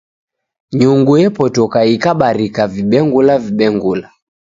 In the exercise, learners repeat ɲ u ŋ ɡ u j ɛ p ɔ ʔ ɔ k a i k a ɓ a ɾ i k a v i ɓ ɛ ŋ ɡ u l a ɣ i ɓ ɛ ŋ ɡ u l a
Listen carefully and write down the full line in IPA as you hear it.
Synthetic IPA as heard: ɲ u ŋ ɡ u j ɛ p ɔ t ɔ k a i k a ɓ a ɾ i k a v i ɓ ɛ ŋ ɡ u l a v i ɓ ɛ ŋ ɡ u l a